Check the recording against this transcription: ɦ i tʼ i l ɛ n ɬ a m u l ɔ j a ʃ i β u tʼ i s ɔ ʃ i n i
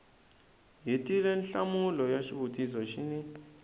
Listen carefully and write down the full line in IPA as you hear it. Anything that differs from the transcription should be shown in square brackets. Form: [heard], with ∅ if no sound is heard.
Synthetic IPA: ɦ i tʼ i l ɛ n ɬ a m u l ɔ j a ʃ i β u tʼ i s ɔ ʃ i n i